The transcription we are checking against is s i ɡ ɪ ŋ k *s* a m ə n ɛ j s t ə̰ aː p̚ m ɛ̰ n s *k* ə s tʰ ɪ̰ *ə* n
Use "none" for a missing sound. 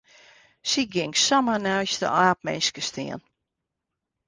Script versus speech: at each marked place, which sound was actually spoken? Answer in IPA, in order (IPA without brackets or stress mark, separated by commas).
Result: s, k, ə